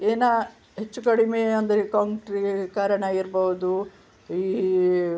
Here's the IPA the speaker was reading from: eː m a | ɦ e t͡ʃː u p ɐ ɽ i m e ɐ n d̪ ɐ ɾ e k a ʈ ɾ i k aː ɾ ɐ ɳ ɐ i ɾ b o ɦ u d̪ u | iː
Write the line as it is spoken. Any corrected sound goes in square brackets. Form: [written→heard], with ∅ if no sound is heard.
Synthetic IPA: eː [m→n] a | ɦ e t͡ʃː u [p→k] ɐ ɽ i m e ɐ n d̪ ɐ ɾ e k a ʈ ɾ i k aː ɾ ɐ ɳ ɐ i ɾ b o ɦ u d̪ u | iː